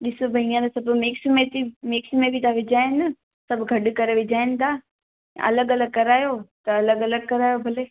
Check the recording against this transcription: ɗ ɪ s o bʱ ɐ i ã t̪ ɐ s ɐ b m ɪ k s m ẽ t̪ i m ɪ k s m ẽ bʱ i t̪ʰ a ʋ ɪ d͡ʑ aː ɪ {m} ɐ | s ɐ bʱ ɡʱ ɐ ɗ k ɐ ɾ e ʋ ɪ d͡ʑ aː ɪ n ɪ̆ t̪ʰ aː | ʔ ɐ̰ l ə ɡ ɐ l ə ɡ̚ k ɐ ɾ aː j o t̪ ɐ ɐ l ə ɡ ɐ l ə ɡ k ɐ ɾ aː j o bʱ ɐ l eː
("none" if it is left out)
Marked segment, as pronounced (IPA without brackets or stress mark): n